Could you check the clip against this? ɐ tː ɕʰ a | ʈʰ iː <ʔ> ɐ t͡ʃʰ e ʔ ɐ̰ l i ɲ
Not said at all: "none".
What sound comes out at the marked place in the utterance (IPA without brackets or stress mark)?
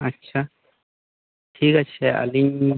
k